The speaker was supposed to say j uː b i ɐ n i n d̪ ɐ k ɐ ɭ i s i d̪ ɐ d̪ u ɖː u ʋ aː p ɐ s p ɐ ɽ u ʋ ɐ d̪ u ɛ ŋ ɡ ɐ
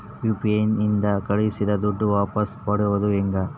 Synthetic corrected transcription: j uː p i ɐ n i n d̪ ɐ k ɐ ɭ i s i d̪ ɐ d̪ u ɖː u ʋ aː p ɐ s p ɐ ɽ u ʋ ɐ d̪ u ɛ ŋ ɡ ɐ